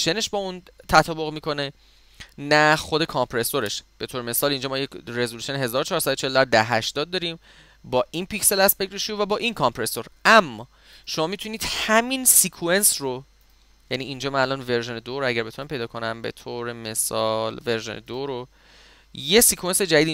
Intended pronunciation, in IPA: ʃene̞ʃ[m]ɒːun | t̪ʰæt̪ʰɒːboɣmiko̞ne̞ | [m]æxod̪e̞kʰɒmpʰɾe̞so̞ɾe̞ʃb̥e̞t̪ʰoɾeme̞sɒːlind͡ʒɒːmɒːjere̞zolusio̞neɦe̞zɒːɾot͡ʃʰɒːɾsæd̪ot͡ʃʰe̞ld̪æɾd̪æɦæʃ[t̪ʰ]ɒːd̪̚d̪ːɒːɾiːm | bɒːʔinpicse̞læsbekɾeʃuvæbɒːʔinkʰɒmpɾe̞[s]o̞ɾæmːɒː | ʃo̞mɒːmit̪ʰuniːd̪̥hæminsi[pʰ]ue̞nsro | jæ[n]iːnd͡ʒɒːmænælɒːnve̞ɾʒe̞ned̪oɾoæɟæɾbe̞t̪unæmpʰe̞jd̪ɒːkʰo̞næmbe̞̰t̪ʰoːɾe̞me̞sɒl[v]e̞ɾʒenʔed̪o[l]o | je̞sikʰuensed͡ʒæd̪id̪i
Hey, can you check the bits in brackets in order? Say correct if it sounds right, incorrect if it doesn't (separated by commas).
incorrect, incorrect, incorrect, correct, incorrect, correct, correct, incorrect